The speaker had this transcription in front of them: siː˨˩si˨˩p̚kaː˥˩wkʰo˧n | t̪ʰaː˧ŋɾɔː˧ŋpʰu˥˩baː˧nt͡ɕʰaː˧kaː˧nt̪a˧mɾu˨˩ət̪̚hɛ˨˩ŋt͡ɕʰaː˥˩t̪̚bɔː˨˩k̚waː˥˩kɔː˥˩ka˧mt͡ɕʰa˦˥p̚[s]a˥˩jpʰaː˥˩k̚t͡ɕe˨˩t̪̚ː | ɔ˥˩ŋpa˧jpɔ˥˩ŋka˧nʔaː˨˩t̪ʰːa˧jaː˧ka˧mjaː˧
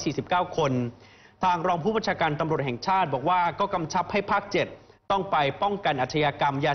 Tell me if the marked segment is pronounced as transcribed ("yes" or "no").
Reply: no